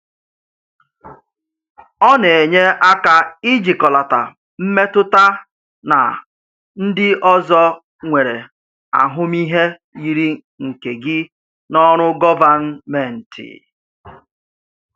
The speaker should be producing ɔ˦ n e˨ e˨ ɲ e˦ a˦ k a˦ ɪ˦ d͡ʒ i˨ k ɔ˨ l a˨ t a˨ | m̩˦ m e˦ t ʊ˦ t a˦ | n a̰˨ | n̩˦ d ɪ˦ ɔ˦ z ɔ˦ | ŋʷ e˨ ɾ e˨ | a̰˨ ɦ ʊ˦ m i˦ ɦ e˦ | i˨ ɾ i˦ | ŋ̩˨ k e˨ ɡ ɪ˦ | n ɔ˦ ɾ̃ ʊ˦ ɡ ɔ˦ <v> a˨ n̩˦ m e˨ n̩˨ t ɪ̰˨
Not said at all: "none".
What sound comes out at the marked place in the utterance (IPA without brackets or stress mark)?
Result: v